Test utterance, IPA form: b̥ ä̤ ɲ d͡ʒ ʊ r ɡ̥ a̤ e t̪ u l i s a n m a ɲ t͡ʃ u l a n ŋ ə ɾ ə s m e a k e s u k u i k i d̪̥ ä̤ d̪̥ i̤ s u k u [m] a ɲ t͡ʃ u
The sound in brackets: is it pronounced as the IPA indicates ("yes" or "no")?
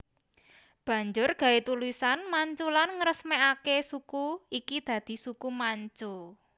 yes